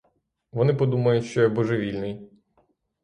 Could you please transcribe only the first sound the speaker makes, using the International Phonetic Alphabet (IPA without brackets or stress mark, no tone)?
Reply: ʋ